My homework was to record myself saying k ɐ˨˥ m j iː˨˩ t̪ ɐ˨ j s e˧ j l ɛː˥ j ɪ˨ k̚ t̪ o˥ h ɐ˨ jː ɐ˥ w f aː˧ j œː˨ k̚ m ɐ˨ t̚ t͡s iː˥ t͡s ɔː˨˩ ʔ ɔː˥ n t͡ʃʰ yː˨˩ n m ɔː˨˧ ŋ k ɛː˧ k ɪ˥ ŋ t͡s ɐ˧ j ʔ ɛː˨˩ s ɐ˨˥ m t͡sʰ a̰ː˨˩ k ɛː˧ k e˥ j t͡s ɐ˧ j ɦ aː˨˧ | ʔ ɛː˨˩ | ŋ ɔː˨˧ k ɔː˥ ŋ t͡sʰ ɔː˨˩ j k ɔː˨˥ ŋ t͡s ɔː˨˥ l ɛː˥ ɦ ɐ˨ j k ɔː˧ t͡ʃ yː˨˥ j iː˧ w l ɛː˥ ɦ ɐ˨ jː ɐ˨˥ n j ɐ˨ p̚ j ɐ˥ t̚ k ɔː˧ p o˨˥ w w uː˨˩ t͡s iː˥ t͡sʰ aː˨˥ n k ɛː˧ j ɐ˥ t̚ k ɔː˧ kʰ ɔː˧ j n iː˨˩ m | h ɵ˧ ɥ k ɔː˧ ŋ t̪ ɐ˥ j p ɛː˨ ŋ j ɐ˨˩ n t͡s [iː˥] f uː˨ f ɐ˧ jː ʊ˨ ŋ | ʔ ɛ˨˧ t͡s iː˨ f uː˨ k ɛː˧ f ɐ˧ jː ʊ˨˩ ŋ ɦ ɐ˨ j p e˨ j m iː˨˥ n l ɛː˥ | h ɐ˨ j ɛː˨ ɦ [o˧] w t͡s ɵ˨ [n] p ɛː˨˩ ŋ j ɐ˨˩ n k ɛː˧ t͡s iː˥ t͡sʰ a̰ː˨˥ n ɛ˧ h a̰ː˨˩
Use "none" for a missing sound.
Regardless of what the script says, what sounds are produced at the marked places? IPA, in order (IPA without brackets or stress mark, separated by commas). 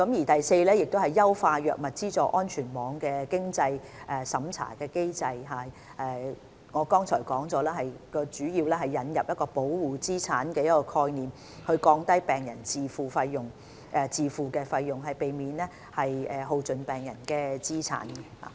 iː˨, o˧, n